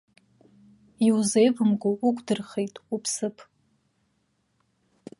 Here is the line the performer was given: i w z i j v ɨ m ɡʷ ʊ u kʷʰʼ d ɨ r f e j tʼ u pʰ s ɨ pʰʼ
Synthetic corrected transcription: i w z e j v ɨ m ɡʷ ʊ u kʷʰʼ d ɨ r χ e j tʼ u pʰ s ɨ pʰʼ